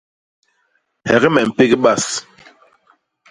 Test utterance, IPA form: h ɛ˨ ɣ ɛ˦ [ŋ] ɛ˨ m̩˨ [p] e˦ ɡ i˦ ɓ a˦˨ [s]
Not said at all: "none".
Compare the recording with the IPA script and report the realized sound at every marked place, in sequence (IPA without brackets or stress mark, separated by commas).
m, p, s